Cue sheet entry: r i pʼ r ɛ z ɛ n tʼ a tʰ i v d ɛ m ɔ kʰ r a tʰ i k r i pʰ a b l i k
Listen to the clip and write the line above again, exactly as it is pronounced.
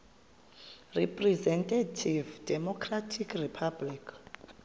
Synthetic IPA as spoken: r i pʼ r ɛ z ɛ n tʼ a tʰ i v d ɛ m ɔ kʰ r a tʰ i k r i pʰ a b l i k